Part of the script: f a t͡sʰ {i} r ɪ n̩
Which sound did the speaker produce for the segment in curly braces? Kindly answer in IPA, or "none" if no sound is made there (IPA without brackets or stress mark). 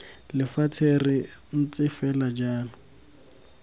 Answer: e